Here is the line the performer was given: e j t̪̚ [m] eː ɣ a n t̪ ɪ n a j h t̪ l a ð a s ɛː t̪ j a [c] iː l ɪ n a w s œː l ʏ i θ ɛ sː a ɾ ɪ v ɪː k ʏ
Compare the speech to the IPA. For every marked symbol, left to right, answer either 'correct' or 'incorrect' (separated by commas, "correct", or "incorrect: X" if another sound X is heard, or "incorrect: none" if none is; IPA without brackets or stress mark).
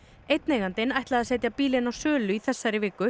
incorrect: n, incorrect: p